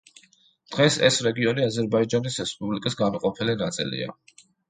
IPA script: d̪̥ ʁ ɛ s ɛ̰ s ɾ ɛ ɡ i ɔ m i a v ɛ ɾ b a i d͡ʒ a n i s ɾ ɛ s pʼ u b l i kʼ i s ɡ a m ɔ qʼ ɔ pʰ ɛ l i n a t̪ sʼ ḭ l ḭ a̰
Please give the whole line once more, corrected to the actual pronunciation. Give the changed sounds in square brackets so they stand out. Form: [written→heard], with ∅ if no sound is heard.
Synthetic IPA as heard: d̪̥ ʁ ɛ s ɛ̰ s ɾ ɛ ɡ i ɔ [m→n] i a [v→z] ɛ ɾ b a i d͡ʒ a n i s ɾ ɛ s pʼ u b l i kʼ i s ɡ a m ɔ qʼ ɔ pʰ ɛ l i n a t̪ sʼ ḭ l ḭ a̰